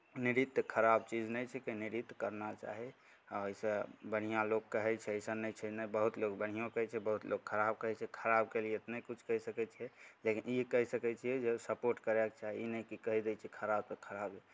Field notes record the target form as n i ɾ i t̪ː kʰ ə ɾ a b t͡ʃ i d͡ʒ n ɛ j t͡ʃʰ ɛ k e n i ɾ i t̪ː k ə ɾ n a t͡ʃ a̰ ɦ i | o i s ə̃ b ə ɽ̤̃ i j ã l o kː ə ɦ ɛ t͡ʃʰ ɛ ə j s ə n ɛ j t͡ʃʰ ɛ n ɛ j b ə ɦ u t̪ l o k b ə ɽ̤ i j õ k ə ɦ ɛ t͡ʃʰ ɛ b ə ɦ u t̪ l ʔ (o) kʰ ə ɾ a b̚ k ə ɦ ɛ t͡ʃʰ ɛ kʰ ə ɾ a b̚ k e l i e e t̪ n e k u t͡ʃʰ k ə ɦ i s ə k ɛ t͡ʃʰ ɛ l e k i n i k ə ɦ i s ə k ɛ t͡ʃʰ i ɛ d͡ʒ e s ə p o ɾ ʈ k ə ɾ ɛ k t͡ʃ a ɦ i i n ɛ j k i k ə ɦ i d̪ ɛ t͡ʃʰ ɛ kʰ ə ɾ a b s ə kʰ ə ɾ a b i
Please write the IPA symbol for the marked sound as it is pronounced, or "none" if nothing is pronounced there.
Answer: o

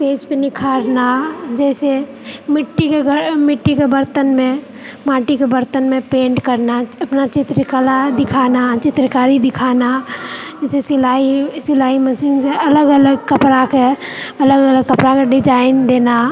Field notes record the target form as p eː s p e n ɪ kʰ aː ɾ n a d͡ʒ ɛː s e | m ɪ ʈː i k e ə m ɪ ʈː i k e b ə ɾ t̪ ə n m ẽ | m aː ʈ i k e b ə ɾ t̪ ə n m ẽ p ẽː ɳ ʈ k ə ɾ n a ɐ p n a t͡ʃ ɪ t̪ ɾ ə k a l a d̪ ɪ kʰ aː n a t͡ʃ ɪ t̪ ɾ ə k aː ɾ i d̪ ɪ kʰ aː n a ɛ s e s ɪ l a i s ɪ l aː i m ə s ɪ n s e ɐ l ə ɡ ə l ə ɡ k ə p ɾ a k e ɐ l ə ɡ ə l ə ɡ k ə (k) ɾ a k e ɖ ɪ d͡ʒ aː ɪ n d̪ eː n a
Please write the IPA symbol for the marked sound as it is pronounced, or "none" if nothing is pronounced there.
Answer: p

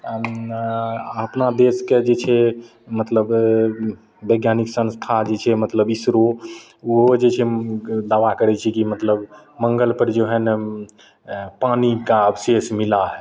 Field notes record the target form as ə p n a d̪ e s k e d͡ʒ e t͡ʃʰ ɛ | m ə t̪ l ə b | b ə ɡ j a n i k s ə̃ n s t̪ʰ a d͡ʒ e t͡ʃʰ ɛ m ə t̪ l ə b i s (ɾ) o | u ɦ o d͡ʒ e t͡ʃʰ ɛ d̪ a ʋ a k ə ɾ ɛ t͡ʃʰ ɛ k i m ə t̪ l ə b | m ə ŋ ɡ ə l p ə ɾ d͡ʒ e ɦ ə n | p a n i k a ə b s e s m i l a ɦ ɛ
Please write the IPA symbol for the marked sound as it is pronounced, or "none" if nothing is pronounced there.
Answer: ɾ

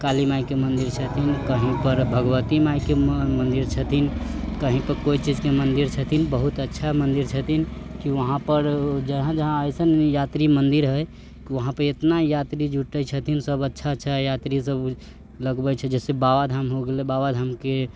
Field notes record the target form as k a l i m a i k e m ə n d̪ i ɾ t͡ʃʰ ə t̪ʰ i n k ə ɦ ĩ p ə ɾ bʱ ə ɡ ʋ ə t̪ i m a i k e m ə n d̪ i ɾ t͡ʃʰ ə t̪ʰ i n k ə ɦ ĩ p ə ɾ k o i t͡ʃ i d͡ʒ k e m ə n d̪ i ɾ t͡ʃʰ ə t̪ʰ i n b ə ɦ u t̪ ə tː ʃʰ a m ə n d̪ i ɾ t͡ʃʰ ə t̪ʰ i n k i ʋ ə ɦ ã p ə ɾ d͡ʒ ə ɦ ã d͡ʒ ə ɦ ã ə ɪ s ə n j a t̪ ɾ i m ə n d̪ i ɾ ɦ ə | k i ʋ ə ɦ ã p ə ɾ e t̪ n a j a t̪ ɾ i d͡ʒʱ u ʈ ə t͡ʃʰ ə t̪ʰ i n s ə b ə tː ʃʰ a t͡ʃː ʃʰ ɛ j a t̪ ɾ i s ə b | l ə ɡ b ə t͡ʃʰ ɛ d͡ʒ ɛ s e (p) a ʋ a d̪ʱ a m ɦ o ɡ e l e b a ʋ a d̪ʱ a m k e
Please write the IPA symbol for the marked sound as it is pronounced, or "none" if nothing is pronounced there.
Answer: b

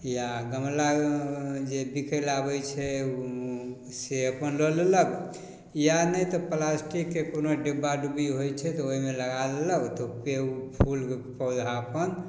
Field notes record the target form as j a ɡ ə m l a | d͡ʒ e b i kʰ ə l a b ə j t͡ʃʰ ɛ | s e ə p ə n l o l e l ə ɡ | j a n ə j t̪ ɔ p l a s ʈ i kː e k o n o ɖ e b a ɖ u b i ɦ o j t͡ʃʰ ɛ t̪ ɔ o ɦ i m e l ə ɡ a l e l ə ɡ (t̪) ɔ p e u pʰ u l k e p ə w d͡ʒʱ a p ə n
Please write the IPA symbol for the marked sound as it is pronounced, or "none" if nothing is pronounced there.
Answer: t̪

